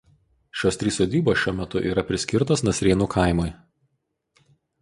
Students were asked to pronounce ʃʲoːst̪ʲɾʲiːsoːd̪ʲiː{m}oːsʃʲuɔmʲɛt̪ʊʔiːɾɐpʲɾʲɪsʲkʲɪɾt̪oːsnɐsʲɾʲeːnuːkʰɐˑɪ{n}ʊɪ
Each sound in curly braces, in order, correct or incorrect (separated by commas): incorrect, incorrect